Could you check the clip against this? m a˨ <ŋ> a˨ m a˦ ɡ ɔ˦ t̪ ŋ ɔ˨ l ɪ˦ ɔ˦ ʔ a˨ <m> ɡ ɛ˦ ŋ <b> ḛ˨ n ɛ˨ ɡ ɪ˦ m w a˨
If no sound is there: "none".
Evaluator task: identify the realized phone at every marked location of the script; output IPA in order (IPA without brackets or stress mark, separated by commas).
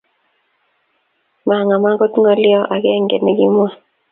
ŋ, none, ɡ